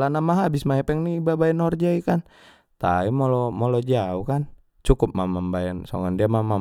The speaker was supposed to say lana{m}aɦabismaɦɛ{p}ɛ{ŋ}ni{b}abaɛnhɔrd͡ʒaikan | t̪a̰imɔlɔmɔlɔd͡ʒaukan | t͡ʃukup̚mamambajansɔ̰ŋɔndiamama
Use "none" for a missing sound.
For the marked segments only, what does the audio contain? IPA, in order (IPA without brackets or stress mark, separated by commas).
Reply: m, p, ŋ, b